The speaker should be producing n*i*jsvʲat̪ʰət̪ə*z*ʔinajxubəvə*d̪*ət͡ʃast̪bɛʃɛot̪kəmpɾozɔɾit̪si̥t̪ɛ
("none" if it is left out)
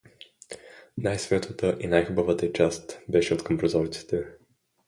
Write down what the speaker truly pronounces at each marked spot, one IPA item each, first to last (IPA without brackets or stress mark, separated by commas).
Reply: a, none, t̪